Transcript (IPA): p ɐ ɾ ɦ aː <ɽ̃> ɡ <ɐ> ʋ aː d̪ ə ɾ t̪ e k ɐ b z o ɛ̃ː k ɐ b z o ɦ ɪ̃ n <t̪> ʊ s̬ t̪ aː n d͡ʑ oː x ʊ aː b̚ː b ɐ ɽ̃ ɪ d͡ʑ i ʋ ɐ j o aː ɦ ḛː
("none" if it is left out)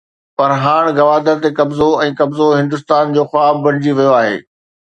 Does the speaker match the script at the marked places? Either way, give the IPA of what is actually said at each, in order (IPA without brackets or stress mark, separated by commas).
ɽ̃, ɐ, d̪